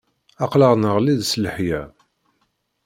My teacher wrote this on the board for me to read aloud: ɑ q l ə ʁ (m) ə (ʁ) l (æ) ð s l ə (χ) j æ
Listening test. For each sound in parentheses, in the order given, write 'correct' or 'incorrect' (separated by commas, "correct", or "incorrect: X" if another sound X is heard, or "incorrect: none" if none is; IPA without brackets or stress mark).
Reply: incorrect: n, correct, incorrect: i, incorrect: ħ